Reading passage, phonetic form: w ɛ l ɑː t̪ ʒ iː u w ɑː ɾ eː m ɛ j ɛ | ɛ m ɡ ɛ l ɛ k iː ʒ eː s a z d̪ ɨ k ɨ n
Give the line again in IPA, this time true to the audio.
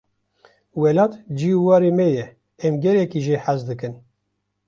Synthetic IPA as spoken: w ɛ l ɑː t̪ d͡ʒ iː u w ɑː ɾ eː m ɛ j ɛ | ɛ m ɡ ɛ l ɛ k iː ʒ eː ħ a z d̪ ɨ k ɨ n